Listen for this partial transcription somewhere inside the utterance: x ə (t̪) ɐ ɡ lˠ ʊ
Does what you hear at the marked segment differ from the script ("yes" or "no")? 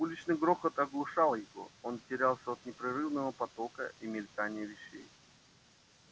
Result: no